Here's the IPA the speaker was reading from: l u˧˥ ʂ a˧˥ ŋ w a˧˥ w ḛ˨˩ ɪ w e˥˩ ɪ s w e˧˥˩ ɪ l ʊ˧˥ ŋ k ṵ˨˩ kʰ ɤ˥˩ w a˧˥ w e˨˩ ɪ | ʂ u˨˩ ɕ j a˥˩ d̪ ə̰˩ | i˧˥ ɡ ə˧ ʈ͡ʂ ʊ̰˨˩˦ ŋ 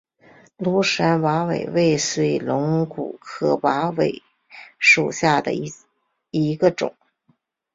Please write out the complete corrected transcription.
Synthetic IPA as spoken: l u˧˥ ʂ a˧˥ n w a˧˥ w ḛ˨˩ ɪ w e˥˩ ɪ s w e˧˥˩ ɪ l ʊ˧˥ ŋ k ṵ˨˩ kʰ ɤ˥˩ w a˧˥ w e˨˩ ɪ | ʂ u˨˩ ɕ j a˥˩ d̪ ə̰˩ | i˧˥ ɡ ə˧ ʈ͡ʂ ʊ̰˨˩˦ ŋ